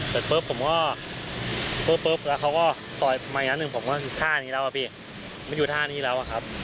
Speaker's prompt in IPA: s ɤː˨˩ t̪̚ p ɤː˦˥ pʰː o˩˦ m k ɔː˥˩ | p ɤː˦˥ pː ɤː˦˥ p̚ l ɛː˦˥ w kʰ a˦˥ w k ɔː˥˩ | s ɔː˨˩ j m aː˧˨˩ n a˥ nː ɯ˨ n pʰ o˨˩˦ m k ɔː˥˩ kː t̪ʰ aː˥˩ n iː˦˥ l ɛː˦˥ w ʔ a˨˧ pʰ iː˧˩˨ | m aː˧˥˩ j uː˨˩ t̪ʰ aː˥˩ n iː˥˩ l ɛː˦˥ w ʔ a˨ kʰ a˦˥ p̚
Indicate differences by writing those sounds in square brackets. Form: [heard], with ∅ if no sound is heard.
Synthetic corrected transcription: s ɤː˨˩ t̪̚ p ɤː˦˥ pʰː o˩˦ m k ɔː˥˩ | p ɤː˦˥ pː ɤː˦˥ p̚ l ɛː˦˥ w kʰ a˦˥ w k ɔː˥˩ | s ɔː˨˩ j m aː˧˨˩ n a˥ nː ɯ˨ [ŋ] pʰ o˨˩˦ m k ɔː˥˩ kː t̪ʰ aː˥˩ n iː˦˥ l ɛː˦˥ w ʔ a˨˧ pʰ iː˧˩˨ | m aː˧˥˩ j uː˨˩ t̪ʰ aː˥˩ n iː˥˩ l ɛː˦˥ w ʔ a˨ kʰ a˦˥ p̚